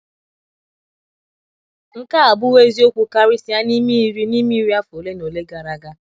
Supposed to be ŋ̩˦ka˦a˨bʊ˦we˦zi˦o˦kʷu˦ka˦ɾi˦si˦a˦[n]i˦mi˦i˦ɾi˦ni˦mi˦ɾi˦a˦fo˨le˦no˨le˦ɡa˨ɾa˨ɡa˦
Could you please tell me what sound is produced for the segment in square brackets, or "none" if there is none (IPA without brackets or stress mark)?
n